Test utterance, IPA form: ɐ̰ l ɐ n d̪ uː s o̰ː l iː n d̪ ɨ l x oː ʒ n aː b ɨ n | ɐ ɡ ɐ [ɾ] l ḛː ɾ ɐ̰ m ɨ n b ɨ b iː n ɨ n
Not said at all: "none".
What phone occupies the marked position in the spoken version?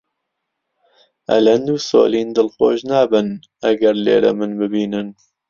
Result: ɾ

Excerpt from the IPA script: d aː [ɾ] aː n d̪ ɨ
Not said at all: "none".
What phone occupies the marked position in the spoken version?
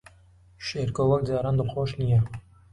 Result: ɾ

